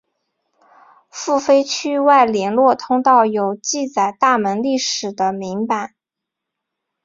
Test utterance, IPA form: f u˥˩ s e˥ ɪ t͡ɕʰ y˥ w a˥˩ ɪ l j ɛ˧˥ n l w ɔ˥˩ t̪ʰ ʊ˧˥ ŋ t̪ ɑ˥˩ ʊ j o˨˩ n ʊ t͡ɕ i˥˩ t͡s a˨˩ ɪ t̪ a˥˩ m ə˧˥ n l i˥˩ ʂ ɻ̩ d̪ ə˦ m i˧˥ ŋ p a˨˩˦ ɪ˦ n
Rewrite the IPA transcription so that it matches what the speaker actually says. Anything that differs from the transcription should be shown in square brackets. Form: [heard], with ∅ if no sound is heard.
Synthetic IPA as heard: f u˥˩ [f] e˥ ɪ t͡ɕʰ y˥ w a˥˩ ɪ l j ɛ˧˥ n l w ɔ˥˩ t̪ʰ [ʊ˥] ŋ t̪ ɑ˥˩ ʊ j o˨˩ [∅] ʊ t͡ɕ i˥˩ t͡s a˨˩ ɪ t̪ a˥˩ m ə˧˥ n l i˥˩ ʂ ɻ̩ d̪ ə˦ m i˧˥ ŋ p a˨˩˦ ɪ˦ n

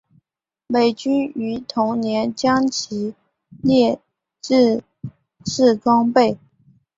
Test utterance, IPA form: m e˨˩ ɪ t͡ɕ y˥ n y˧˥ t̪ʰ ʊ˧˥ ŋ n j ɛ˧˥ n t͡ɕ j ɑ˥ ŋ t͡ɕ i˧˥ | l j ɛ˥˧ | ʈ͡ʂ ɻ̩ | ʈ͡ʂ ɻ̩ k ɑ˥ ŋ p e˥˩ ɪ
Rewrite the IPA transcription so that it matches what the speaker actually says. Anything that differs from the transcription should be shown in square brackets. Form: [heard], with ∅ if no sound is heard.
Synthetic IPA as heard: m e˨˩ ɪ t͡ɕ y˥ n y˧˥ t̪ʰ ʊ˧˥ ŋ n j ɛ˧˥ n t͡ɕ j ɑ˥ ŋ [t͡ɕʰ] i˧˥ | l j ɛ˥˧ | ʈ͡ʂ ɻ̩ | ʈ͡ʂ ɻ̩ k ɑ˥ ŋ p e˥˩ ɪ

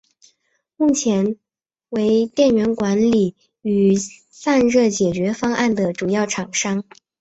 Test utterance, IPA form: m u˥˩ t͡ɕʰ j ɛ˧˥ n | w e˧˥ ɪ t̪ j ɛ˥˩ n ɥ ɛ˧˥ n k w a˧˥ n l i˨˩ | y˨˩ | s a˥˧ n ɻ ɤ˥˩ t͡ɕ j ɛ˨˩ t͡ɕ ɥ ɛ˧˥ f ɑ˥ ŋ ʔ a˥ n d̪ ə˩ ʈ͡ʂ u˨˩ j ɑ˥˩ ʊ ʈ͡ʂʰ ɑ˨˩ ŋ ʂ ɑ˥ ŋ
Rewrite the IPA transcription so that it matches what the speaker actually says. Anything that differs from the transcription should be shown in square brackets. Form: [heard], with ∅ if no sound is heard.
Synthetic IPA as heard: m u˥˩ t͡ɕʰ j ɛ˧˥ n | w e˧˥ ɪ t̪ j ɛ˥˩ n ɥ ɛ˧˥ n k w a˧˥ n l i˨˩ | y˨˩ | s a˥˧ n ɻ ɤ˥˩ t͡ɕ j ɛ˨˩ t͡ɕ ɥ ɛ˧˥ f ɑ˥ ŋ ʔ [a˥˩] n d̪ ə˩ ʈ͡ʂ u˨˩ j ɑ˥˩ ʊ ʈ͡ʂʰ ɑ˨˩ ŋ ʂ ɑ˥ ŋ

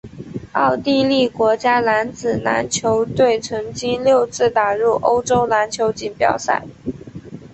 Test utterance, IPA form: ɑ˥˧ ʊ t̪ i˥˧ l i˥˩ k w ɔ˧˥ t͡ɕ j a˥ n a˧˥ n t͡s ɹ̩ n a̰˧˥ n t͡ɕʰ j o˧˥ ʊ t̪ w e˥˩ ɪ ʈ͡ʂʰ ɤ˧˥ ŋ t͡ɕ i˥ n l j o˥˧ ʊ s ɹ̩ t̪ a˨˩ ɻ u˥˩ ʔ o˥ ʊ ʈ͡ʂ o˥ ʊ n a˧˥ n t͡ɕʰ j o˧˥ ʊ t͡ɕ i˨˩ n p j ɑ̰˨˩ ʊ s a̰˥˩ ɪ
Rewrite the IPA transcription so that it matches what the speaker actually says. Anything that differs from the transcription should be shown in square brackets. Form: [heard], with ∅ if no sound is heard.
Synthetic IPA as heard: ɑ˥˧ ʊ t̪ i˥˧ l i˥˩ k w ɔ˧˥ t͡ɕ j a˥ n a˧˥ n t͡s ɹ̩ n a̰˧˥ n t͡ɕʰ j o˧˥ ʊ t̪ w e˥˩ ɪ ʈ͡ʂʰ ɤ˧˥ ŋ t͡ɕ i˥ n l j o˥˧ ʊ [t͡s] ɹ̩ t̪ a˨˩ ɻ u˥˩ ʔ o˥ ʊ ʈ͡ʂ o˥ ʊ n a˧˥ n t͡ɕʰ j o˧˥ ʊ t͡ɕ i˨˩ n p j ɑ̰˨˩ ʊ s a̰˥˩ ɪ

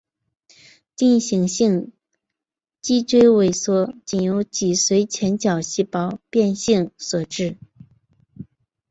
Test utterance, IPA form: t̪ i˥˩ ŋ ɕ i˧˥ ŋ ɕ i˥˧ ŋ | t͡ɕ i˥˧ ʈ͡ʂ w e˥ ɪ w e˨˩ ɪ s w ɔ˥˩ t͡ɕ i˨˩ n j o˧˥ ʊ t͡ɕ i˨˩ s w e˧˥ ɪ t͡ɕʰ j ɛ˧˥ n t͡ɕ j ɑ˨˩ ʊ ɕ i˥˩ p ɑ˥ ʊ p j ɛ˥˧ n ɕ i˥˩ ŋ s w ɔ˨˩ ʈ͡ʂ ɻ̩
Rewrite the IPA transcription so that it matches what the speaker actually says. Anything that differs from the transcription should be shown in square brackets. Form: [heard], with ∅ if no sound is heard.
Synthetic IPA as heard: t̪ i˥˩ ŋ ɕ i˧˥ ŋ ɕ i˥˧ ŋ | t͡ɕ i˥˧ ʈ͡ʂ w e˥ ɪ w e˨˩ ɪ s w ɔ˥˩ t͡ɕ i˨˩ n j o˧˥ ʊ t͡ɕ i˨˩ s w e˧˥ ɪ t͡ɕʰ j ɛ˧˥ n t͡ɕ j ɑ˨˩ ʊ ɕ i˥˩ p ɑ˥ ʊ p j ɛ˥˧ n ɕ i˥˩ ŋ s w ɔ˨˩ ʈ͡ʂ ɻ̩

